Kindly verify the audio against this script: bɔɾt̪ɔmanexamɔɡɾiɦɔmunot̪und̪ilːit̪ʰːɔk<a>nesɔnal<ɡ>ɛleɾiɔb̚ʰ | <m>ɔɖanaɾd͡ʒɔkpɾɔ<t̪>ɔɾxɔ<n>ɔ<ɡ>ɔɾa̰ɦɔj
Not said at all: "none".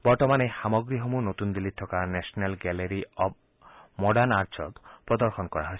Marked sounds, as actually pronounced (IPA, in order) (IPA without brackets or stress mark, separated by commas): a, ɡ, m, d̪, n, k